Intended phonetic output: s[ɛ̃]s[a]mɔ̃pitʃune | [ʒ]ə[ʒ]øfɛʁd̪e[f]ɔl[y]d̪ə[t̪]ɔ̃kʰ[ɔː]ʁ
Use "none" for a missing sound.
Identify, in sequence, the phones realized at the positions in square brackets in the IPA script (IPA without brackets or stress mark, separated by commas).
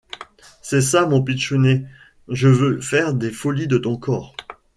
ɛ, a, ʒ, v, f, i, t̪, ɔː